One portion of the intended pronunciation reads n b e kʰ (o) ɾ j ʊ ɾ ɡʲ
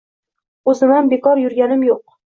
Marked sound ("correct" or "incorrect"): incorrect